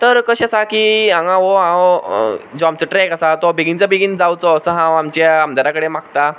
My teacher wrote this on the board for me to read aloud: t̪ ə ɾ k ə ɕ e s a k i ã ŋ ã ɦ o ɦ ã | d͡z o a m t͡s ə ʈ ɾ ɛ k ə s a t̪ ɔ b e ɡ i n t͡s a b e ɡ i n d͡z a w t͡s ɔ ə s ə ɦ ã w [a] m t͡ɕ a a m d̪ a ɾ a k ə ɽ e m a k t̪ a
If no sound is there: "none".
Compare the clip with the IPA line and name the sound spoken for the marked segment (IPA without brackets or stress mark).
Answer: a